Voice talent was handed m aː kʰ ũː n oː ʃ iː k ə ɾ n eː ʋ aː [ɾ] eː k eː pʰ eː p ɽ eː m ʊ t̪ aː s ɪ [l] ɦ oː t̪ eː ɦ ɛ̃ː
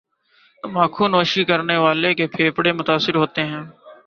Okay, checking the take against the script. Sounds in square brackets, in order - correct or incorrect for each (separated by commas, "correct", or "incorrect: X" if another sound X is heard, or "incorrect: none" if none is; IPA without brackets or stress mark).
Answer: incorrect: l, incorrect: ɾ